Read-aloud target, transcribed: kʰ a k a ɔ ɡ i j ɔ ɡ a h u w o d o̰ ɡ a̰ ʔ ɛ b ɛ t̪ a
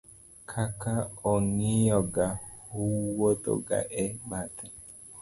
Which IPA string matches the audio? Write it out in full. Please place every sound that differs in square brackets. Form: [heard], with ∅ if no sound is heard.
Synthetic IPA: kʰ a k a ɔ [ŋ] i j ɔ ɡ a h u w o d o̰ ɡ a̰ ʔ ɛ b [a] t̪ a